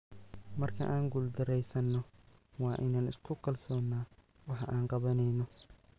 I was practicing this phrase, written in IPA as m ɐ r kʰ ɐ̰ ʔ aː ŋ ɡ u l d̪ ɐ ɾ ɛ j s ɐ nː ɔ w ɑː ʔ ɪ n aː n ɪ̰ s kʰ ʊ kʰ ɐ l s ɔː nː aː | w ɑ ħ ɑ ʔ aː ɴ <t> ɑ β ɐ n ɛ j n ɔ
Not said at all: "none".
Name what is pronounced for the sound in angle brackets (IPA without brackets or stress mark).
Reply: q